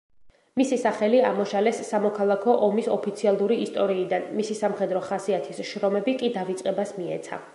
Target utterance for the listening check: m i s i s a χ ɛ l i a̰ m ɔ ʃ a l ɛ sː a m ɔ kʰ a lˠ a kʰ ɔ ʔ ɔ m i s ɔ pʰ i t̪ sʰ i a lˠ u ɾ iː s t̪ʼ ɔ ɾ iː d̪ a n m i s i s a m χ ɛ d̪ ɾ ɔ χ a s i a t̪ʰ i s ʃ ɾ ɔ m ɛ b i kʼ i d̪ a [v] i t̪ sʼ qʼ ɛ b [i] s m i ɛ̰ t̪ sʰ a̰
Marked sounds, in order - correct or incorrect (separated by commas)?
correct, incorrect